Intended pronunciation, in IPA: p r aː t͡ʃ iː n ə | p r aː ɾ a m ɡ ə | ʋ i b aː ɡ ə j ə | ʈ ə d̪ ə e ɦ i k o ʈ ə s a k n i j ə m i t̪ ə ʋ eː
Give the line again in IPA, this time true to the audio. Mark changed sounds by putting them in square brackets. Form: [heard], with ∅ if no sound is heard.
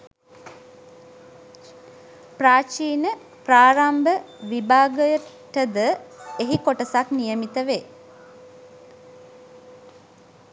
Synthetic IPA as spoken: p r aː t͡ʃ iː n ə | p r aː ɾ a m [b] ə | ʋ i b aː ɡ ə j ə | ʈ ə d̪ ə e ɦ i k o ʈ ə s a k n i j ə m i t̪ ə ʋ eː